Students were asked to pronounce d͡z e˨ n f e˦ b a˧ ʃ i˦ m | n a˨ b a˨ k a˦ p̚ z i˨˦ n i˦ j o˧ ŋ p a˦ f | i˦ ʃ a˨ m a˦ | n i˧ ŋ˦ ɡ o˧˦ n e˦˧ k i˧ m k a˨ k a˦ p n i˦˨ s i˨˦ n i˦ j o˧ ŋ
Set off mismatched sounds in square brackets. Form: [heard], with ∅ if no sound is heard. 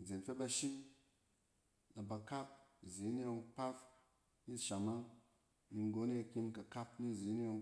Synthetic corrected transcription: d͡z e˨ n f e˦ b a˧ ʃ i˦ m | n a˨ b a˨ k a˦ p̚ z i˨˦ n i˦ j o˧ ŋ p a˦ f | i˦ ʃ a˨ m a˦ | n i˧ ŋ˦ ɡ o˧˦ n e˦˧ k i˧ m k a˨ k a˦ p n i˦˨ [z] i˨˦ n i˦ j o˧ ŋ